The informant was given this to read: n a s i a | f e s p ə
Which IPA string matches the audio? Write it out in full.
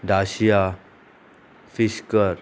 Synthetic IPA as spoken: d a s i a | f i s k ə